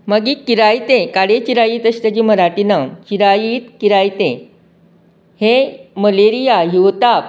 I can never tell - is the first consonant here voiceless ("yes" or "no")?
no